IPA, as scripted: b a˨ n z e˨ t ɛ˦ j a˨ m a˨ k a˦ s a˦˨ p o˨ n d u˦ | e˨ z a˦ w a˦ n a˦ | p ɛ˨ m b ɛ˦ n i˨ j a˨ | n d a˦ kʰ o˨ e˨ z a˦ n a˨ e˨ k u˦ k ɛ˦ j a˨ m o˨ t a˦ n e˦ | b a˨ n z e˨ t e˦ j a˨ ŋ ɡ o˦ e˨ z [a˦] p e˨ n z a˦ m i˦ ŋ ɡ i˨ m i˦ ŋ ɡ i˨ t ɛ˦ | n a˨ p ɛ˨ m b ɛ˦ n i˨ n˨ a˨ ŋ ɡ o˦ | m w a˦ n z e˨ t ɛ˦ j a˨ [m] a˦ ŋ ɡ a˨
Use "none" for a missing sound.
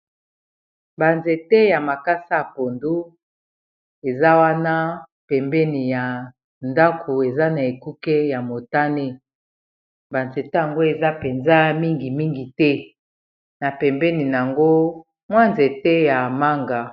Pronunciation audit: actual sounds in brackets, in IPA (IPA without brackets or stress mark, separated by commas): a˦, m